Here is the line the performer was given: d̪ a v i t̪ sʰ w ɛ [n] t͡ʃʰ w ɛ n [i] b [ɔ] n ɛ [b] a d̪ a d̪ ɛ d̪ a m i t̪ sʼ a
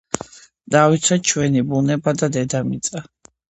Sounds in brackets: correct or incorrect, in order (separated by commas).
incorrect, correct, incorrect, correct